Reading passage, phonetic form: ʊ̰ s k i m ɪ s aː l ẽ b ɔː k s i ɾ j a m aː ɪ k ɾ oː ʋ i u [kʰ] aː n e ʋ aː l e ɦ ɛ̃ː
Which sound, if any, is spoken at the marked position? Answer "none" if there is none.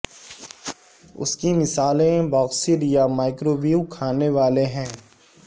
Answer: kʰ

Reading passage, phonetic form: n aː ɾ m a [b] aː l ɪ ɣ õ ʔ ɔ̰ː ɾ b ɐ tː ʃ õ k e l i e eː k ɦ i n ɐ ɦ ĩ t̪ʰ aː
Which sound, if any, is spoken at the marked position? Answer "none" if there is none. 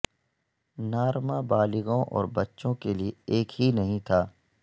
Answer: b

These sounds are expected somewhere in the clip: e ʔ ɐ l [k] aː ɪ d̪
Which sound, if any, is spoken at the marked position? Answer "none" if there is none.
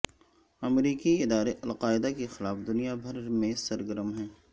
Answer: q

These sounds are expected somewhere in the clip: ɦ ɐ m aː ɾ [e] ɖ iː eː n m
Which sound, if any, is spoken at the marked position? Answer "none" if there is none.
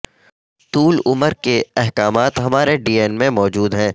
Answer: e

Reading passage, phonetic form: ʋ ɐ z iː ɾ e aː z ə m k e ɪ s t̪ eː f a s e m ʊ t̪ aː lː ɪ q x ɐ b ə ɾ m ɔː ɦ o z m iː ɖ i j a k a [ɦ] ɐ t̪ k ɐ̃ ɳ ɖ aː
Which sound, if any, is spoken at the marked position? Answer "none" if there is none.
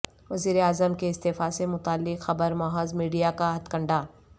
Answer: ɦ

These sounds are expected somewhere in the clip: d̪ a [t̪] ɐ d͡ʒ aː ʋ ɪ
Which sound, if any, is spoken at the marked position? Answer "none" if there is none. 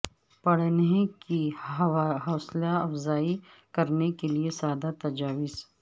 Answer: t̪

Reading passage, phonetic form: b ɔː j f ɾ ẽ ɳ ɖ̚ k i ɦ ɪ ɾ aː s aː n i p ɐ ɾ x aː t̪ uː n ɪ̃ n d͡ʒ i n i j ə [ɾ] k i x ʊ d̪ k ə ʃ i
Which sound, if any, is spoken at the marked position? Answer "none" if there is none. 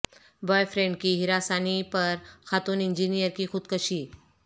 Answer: ɾ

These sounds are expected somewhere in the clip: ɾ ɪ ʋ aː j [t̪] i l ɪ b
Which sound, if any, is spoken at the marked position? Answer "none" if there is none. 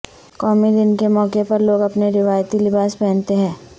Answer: t̪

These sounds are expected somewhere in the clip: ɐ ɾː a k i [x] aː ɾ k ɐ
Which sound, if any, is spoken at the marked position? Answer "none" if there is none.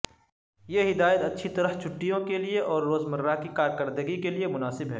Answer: k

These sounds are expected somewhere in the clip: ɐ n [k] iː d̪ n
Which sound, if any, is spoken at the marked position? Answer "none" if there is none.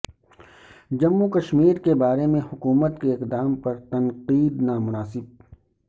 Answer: q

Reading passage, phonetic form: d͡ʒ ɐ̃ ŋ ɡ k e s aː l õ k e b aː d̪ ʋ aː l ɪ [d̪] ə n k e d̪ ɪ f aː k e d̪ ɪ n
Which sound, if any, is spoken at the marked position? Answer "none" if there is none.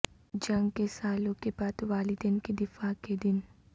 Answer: d̪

